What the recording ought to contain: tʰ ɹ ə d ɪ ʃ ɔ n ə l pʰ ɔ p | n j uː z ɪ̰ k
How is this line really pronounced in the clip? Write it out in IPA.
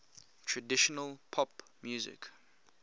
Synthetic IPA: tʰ ɹ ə d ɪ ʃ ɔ n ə l pʰ ɔ p | m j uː z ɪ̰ k